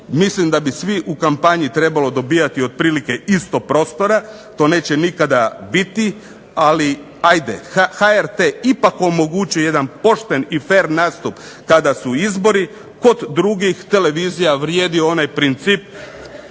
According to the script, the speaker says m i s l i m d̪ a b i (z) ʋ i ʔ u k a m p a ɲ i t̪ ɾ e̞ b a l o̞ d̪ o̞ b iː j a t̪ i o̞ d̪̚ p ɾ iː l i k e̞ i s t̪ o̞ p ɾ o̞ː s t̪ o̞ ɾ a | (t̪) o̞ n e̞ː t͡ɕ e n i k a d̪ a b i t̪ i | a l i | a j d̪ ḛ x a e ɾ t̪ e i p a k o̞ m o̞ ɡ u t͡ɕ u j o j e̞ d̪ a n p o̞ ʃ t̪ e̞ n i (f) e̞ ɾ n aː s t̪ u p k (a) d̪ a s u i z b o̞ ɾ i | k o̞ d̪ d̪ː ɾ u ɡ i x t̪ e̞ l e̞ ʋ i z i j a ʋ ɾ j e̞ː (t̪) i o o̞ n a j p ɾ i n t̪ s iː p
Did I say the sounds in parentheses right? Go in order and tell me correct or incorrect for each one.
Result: incorrect: s, correct, correct, correct, incorrect: d̪

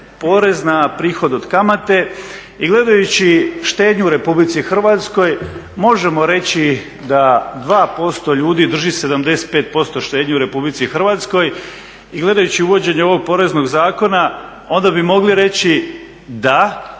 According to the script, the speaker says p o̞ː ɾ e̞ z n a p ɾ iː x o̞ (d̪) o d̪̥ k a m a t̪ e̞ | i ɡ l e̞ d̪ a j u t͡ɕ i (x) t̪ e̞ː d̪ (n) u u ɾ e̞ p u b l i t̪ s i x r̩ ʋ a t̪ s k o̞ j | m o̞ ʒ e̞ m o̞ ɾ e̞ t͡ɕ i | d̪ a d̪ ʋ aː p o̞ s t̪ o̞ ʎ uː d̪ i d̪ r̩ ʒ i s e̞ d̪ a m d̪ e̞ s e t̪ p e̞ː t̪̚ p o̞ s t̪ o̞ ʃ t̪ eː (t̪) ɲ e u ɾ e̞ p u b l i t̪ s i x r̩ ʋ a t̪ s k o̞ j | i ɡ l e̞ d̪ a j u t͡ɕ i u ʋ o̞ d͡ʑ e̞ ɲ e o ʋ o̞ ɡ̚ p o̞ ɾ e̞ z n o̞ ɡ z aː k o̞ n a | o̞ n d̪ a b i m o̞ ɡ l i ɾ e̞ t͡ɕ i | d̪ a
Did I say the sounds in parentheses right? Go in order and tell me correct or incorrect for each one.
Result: correct, incorrect: ʃ, incorrect: ɲ, incorrect: d̪

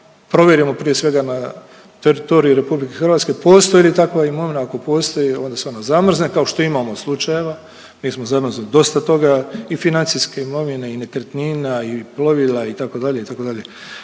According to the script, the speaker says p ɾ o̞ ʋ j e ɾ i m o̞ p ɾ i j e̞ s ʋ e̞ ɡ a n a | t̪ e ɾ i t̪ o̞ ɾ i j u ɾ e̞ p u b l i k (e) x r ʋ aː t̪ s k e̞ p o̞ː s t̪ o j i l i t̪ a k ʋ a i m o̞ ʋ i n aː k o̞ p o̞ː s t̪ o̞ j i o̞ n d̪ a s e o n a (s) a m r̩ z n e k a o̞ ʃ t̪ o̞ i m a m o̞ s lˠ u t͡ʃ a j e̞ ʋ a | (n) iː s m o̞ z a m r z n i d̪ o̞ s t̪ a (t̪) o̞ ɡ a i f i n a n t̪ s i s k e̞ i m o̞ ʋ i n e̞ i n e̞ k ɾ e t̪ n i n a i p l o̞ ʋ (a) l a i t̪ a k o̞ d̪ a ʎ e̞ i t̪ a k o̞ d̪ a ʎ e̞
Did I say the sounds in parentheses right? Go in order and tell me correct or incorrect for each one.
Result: correct, incorrect: z, incorrect: m, correct, incorrect: i

